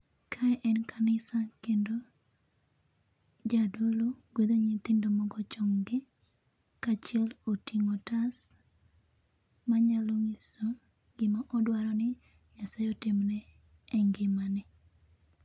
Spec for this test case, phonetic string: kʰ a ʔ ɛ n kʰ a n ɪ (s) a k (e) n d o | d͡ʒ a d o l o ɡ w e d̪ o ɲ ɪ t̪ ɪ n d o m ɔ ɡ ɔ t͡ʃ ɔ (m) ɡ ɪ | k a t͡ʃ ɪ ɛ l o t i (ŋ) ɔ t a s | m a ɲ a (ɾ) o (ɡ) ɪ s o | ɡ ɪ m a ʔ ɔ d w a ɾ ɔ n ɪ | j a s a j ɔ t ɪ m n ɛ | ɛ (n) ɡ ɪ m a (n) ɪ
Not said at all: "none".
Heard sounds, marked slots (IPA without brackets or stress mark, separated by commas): s, e, ŋ, ŋ, l, ŋ, ŋ, n